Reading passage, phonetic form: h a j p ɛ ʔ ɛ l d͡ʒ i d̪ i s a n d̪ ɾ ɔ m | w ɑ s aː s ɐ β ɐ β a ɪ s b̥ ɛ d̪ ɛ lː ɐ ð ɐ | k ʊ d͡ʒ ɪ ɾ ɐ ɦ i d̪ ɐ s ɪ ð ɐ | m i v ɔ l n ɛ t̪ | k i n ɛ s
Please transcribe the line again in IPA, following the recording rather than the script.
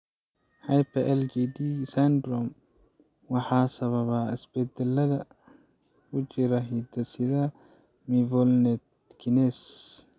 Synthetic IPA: h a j p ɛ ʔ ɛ l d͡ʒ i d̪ i s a n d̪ ɾ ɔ m | w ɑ ħ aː s ɐ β ɐ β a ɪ s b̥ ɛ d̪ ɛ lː ɐ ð ɐ | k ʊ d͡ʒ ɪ ɾ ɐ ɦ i d̪ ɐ s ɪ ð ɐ | m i v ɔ l n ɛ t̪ | k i n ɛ s

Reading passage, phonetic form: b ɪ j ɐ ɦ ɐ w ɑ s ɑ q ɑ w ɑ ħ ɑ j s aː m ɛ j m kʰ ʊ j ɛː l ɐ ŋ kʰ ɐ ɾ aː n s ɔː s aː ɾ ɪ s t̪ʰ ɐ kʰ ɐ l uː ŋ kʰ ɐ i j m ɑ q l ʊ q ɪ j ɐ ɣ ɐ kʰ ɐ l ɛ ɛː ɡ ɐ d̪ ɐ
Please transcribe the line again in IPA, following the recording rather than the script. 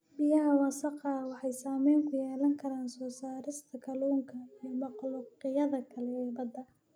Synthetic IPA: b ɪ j ɐ ɦ ɐ w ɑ s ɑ q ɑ w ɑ ħ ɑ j s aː m ɛ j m kʰ ʊ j ɛː l ɐ ŋ kʰ ɐ ɾ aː n s ɔː s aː ɾ ɪ s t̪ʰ ɐ kʰ ɐ l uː ŋ kʰ ɐ i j m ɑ q l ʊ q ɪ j ɐ ð ɐ kʰ ɐ l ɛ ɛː b ɐ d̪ ɐ

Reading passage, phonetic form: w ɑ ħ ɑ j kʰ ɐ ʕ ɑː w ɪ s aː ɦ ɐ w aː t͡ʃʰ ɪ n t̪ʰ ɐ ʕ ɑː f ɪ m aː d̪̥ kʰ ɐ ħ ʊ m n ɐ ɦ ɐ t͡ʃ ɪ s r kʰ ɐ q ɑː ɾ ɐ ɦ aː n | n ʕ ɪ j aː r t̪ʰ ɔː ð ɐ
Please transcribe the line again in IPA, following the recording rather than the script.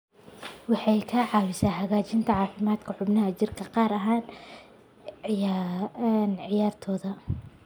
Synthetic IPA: w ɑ ħ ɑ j kʰ ɐ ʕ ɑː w ɪ s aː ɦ ɐ ɣ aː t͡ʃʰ ɪ n t̪ʰ ɐ ʕ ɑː f ɪ m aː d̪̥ kʰ ɐ ħ ʊ b n ɐ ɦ ɐ t͡ʃ ɪ r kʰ ɐ q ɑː ɾ ɐ ɦ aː n | n ʕ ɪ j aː r t̪ʰ ɔː ð ɐ

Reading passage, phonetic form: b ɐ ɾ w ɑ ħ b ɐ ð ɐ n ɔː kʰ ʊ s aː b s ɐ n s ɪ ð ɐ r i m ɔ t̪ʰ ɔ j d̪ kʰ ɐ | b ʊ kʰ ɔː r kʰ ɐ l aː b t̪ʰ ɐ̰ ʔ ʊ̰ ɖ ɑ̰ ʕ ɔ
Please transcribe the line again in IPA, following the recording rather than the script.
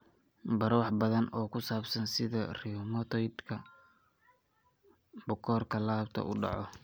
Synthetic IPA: b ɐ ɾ w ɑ ħ b ɐ ð ɐ n ɔː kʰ ʊ s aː b s ɐ n s ɪ ð ɐ r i m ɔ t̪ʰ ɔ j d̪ kʰ ɐ | b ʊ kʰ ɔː r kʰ ɐ l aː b t̪ʰ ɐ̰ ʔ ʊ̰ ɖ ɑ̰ ʕ ɔ

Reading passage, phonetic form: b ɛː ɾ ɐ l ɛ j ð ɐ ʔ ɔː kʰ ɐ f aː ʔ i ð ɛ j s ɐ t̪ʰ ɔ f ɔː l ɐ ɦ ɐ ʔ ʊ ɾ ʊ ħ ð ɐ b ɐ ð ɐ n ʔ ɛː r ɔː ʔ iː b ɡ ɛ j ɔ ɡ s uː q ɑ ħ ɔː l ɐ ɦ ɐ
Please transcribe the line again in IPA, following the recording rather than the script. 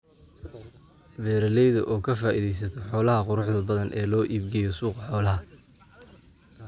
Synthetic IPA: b ɛː ɾ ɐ l ɛ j ð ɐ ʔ ɔː kʰ ɐ f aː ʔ i ð ɛ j s ɐ t̪ʰ ɔ ħ ɔː l ɐ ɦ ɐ q ʊ ɾ ʊ ħ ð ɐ b ɐ ð ɐ n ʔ ɛː l ɔː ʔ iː b ɡ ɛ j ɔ s uː q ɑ ħ ɔː l ɐ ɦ ɐ

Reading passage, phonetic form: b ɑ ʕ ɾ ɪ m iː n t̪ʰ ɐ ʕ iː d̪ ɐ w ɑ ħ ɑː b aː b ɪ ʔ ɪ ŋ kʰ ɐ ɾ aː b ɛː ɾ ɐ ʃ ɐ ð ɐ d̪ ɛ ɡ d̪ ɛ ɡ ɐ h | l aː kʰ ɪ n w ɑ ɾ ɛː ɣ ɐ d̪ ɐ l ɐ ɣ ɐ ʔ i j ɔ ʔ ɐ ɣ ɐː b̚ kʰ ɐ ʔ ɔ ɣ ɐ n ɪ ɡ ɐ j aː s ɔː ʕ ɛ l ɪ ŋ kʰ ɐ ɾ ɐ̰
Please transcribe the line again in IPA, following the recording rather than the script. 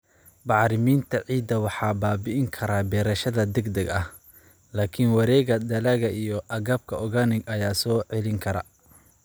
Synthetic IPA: b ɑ ʕ ɾ ɪ m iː n t̪ʰ ɐ ʕ iː d̪ ɐ w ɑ ħ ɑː b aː b ɪ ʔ ɪ ŋ kʰ ɐ ɾ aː b ɛː ɾ ɐ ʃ ɐ ð ɐ d̪ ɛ ɡ d̪ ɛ ɡ ɐ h | l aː kʰ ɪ n w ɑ ɾ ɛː ɣ ɐ d̪ ɐ l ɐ ɣ ɐ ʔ i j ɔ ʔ ɐ ɣ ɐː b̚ kʰ ɐ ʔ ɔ ɣ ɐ n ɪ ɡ ɐ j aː s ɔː ʕ ɛ l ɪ ŋ kʰ ɐ ɾ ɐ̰

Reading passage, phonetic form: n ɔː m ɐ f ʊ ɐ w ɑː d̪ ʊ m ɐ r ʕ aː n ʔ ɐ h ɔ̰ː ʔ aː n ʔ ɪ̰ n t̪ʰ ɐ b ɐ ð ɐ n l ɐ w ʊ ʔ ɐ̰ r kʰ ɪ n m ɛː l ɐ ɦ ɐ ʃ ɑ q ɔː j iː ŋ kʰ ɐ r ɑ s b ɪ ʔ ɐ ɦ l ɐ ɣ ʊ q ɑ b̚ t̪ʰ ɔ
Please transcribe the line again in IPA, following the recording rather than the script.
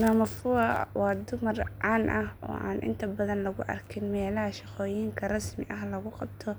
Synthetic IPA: n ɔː m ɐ f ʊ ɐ w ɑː d̪ ʊ m ɐ r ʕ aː n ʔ ɐ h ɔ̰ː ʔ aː n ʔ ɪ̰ n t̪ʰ ɐ b ɐ ð ɐ n l ɐ ɣ ʊ ʔ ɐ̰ r kʰ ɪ n m ɛː l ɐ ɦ ɐ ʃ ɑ q ɔː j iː ŋ kʰ ɐ r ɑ s m ɪ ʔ ɐ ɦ l ɐ ɣ ʊ q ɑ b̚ t̪ʰ ɔ

